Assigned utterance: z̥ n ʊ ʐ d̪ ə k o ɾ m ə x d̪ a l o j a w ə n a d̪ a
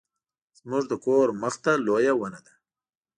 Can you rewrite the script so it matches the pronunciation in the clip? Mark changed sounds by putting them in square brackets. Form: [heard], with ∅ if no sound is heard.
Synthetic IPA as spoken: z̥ [m] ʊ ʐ d̪ ə k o ɾ m ə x [t̪] a l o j a w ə n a d̪ a